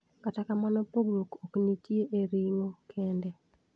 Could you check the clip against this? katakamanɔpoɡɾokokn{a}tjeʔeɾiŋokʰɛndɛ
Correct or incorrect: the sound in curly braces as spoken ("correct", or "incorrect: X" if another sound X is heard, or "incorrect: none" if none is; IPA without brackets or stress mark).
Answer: incorrect: i